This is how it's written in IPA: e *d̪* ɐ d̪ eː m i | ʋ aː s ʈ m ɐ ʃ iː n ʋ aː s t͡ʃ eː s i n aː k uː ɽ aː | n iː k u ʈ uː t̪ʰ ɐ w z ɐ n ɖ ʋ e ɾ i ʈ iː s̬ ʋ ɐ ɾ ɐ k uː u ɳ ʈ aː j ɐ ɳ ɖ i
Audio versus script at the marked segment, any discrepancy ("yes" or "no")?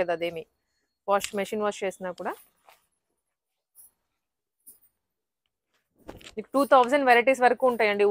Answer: no